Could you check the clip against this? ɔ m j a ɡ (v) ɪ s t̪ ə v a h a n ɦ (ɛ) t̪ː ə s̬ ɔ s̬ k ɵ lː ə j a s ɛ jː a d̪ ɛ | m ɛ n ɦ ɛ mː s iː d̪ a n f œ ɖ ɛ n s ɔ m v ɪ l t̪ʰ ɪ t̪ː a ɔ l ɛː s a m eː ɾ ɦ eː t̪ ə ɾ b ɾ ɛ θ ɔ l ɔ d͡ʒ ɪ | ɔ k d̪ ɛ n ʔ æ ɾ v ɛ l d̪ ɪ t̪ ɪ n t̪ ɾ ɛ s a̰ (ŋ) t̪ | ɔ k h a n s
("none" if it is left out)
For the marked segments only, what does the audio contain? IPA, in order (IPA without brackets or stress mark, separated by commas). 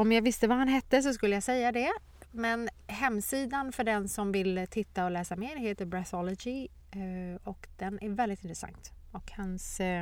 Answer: v, ɛ, ŋ